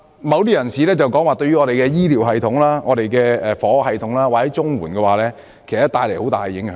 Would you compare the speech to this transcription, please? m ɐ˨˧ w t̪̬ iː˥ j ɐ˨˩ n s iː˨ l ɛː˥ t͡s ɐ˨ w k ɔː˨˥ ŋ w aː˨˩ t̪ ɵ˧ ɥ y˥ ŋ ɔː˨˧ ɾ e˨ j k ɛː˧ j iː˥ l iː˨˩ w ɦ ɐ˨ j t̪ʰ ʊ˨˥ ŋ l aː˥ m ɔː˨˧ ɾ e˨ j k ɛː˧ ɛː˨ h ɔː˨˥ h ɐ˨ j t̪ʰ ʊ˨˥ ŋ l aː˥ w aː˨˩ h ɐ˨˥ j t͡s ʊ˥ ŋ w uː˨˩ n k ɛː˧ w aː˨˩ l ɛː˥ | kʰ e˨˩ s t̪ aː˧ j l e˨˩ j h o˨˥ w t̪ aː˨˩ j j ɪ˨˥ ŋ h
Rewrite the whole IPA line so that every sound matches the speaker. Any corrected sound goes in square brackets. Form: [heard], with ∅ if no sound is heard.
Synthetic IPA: m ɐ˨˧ w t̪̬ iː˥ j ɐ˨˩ n s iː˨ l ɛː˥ t͡s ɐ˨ w k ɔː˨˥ ŋ w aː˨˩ t̪ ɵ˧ ɥ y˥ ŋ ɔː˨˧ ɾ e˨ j k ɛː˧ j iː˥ l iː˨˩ w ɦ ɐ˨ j t̪ʰ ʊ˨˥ ŋ l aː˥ [ŋ] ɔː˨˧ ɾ e˨ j k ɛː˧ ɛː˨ [f] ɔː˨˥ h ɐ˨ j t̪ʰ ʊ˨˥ ŋ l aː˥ w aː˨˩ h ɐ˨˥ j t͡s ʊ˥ ŋ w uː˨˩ n k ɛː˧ w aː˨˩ l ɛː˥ | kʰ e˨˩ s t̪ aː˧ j l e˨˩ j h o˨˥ w t̪ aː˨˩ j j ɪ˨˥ ŋ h

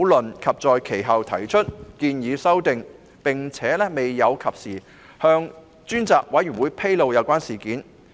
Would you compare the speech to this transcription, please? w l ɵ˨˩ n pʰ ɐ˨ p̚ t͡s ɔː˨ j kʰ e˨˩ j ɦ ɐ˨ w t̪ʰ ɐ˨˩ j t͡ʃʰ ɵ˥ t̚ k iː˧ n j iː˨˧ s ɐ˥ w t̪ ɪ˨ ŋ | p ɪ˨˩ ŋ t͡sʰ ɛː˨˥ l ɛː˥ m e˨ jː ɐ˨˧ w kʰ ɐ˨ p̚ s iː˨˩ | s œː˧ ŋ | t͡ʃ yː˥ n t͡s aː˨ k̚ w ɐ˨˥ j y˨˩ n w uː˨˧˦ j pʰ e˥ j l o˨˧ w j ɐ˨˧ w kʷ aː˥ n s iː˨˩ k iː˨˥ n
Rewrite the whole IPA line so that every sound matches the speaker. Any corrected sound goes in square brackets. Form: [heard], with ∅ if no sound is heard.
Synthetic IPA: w l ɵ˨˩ n [kʰ] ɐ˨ p̚ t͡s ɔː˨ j kʰ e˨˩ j ɦ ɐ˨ w t̪ʰ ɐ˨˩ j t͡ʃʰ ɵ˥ t̚ k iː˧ n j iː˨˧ s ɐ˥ w t̪ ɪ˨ ŋ | p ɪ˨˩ ŋ t͡sʰ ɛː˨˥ l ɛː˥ m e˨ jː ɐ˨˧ w kʰ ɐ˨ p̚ s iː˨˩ | [h] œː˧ ŋ | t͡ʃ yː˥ n t͡s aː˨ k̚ w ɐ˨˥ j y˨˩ n w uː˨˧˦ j pʰ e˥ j l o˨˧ w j ɐ˨˧ w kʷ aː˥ n s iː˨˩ k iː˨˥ n

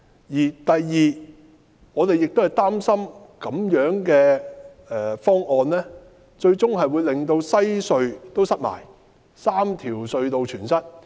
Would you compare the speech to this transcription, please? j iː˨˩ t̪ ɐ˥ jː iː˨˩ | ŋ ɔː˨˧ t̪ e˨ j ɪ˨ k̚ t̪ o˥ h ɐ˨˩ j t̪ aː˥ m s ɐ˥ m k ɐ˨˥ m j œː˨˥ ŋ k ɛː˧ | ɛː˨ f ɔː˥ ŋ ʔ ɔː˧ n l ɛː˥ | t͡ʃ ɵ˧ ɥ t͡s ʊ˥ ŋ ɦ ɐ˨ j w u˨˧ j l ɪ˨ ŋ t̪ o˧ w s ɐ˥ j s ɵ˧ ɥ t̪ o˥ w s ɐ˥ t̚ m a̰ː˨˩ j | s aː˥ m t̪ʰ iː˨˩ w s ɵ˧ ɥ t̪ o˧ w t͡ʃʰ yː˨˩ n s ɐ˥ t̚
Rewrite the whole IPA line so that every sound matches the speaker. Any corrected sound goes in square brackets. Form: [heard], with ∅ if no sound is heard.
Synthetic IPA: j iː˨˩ t̪ [ɐ˨] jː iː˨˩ | ŋ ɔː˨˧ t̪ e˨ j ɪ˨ k̚ t̪ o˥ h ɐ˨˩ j t̪ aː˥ m s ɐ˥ m k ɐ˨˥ m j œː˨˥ ŋ k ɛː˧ | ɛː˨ f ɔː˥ ŋ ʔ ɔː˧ n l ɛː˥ | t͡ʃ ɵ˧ ɥ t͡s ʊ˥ ŋ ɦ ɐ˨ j w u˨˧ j l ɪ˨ ŋ t̪ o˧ w s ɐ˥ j s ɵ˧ ɥ t̪ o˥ w s ɐ˥ t̚ m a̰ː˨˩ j | s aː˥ m t̪ʰ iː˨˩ w s ɵ˧ ɥ t̪ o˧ w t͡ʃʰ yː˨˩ n s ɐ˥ t̚

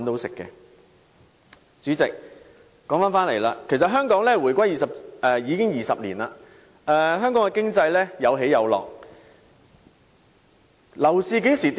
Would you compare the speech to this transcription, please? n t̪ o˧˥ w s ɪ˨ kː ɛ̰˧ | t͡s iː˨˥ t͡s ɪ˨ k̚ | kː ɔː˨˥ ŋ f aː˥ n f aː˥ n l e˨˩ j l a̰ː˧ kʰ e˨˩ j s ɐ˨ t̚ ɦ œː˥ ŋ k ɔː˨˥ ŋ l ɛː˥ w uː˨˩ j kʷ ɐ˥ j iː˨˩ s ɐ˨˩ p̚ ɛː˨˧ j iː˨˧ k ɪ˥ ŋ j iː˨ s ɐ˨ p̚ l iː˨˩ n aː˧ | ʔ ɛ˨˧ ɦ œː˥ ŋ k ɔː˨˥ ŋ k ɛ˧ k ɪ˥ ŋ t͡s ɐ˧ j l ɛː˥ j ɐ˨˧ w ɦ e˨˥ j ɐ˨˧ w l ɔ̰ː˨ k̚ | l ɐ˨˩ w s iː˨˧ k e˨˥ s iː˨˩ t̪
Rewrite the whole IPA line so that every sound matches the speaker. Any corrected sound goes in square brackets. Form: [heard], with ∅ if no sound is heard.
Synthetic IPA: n t̪ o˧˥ w s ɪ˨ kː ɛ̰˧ | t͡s [yː˨˥] t͡s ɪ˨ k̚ | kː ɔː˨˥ ŋ f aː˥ n f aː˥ n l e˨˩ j l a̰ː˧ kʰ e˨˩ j s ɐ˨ t̚ ɦ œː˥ ŋ k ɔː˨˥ ŋ l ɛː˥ w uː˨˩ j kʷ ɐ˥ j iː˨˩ s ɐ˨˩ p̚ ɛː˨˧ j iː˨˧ k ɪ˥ ŋ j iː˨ s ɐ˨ p̚ l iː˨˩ n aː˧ | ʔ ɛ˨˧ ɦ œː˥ ŋ k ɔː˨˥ ŋ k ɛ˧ k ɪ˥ ŋ t͡s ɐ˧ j l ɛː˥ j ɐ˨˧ w ɦ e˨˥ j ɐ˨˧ w l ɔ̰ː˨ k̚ | l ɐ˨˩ w s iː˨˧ k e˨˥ s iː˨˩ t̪

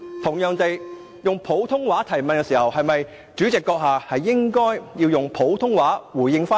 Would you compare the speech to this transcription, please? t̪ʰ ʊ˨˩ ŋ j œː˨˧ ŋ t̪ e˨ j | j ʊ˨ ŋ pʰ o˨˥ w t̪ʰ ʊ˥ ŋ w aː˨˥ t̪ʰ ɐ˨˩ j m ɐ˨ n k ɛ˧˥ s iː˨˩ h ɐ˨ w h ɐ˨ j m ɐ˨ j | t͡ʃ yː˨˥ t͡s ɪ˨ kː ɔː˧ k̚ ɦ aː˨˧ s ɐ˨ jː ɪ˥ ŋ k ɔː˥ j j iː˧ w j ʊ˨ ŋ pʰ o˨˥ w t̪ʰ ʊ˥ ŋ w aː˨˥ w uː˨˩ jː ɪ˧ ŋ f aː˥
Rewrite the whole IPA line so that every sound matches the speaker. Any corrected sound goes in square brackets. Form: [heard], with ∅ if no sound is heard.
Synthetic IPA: t̪ʰ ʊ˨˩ ŋ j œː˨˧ ŋ t̪ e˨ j | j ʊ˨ ŋ pʰ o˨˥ w t̪ʰ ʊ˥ ŋ w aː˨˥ t̪ʰ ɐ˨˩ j m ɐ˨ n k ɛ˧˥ s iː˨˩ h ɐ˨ w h ɐ˨ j m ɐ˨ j | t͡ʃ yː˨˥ t͡s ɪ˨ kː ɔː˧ k̚ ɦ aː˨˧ [h] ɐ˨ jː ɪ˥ ŋ k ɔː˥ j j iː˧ w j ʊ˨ ŋ pʰ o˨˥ w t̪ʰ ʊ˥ ŋ w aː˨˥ w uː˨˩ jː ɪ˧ ŋ f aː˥

